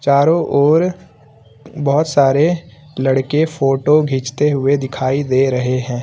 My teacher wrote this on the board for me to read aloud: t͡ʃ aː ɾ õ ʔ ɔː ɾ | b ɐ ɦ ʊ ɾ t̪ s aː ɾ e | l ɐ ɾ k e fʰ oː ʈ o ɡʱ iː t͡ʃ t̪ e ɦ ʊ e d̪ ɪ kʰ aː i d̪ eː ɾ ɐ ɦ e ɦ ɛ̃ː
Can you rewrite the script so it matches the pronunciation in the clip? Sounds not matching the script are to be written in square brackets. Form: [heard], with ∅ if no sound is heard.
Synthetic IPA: t͡ʃ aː ɾ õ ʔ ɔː ɾ | b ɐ ɦ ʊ [∅] t̪ s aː ɾ e | l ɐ [ɽ] k e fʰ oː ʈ o ɡʱ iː t͡ʃ t̪ e ɦ ʊ e d̪ ɪ kʰ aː i d̪ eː ɾ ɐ ɦ e ɦ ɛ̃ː